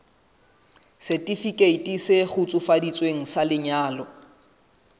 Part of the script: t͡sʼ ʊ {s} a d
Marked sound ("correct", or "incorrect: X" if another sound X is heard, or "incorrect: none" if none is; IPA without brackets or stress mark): incorrect: f